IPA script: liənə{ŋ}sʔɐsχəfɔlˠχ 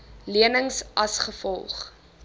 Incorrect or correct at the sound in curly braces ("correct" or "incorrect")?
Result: correct